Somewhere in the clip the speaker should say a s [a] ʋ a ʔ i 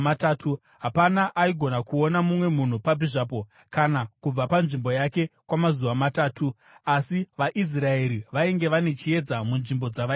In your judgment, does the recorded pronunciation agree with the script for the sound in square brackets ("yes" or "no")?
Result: no